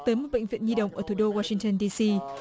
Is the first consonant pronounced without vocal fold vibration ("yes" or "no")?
yes